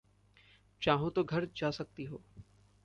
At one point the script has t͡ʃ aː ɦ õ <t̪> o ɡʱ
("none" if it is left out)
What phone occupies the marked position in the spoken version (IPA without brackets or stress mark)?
t̪